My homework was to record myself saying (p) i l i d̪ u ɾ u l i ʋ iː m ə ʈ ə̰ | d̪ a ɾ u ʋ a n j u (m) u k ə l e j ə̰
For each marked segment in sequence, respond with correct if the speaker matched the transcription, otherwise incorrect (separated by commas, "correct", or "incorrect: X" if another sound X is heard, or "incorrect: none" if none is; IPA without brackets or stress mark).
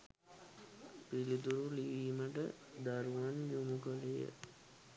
correct, correct